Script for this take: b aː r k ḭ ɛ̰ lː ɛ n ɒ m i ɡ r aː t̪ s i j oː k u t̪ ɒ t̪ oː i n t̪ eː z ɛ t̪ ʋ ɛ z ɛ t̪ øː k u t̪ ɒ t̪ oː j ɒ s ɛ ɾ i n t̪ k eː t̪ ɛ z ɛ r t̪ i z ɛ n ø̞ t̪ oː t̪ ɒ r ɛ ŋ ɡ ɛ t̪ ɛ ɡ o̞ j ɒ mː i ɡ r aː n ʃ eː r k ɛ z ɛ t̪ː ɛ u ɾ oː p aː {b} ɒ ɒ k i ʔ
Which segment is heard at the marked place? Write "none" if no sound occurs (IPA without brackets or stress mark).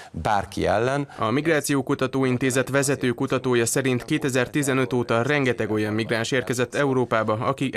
b